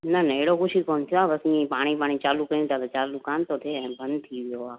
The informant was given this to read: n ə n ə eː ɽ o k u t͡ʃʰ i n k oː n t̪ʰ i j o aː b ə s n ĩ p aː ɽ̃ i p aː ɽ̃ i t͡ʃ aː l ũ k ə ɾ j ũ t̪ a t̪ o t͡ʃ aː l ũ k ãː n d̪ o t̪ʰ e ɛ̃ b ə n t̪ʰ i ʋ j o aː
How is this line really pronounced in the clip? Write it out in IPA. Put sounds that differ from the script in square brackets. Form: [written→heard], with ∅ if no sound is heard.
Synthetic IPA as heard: n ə n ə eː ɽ o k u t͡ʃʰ i [n→∅] k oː n t̪ʰ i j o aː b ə s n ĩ p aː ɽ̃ i p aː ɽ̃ i t͡ʃ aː l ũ k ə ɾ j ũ t̪ a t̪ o t͡ʃ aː l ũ k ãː n [d̪→t̪] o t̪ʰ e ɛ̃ b ə n t̪ʰ i ʋ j o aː

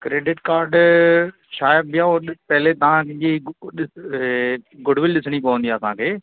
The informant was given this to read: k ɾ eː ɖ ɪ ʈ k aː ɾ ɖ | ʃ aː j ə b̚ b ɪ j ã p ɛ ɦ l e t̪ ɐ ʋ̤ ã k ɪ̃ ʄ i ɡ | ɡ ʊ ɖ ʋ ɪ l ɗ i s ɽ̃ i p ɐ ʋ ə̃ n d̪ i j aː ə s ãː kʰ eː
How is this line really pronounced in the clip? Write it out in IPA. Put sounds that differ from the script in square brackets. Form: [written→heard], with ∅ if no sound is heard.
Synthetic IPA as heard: k ɾ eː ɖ ɪ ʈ k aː ɾ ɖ | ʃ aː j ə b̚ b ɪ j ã p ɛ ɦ l e t̪ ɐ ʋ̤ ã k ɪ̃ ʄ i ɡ | ɡ ʊ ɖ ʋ ɪ l ɗ [i→ɪ] s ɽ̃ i p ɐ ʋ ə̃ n d̪ i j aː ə s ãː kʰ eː

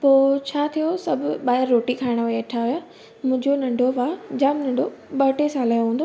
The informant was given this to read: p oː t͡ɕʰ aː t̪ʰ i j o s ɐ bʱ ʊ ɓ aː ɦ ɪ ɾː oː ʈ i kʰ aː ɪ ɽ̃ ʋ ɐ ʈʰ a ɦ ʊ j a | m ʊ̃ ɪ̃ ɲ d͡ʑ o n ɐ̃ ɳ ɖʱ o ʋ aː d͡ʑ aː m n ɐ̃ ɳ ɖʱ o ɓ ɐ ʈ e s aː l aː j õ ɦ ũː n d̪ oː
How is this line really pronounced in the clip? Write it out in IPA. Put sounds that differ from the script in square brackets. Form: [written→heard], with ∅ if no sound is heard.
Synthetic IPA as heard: p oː t͡ɕʰ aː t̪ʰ i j o s ɐ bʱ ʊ ɓ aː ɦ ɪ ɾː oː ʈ i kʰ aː ɪ ɽ̃ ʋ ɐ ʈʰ a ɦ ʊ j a | m ʊ̃ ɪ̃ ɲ d͡ʑ o n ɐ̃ ɳ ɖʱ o ʋ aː d͡ʑ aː m n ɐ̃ ɳ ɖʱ o ɓ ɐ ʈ e s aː l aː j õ ɦ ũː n d̪ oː

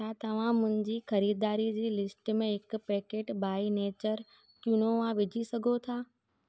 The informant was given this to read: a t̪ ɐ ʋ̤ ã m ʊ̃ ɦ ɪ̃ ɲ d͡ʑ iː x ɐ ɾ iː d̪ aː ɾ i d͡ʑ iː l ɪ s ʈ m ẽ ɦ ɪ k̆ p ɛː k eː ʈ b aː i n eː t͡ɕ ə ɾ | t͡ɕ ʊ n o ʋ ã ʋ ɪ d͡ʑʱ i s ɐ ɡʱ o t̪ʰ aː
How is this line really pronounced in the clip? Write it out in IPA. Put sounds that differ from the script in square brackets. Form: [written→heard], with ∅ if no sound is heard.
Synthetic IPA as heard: a t̪ ɐ ʋ̤ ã m ʊ̃ ɦ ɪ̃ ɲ d͡ʑ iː x ɐ ɾ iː d̪ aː ɾ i d͡ʑ iː l ɪ s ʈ m ẽ ɦ ɪ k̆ p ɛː k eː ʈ b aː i n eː t͡ɕ ə ɾ | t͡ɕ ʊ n o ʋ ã ʋ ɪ d͡ʑʱ i s ɐ ɡʱ o t̪ʰ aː

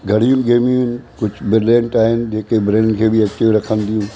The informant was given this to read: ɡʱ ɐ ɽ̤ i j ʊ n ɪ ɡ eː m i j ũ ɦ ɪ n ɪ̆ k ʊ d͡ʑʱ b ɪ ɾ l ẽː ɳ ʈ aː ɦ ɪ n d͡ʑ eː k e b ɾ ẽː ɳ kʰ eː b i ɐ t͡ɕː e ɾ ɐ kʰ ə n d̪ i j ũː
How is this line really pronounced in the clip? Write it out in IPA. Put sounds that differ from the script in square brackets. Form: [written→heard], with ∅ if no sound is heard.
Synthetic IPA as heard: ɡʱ ɐ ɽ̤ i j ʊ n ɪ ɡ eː m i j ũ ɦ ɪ n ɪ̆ k ʊ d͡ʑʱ b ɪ ɾ l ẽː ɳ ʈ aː ɦ ɪ n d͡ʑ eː k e b ɾ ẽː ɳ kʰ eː b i ɐ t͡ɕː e ɾ ɐ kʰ ə n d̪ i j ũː

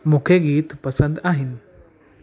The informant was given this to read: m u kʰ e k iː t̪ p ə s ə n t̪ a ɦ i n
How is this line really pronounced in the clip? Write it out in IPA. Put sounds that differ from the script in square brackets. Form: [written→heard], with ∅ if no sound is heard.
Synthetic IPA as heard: m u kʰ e [k→ɡ] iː t̪ p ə s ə n [t̪→d̪] a ɦ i n

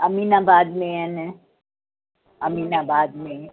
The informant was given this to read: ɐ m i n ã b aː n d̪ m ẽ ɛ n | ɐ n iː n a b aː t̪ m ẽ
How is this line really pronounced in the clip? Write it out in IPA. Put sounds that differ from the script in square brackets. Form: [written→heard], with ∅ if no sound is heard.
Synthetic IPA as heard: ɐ m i n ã b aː [n→∅] d̪ m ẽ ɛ n | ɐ [n→m] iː n a b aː [t̪→d̪] m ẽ

